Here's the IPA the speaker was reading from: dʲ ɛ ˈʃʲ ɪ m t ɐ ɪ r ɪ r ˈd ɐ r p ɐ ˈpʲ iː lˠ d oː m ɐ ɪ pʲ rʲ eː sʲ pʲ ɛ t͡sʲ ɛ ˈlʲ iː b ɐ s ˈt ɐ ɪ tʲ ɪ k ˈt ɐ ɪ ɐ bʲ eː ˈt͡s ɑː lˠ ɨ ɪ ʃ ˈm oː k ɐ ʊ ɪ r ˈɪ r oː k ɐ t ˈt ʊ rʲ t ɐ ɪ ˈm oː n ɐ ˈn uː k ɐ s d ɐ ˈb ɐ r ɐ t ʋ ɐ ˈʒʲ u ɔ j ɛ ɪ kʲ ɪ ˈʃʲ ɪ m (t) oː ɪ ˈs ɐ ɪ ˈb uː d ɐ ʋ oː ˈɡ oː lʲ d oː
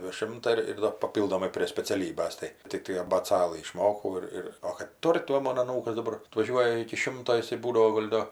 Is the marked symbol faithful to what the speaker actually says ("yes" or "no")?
yes